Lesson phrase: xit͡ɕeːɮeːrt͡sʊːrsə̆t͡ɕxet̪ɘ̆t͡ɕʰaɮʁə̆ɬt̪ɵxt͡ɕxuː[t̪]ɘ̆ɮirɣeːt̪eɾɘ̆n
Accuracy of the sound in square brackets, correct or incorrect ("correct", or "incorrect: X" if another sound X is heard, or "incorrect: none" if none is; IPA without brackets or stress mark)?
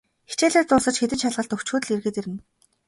correct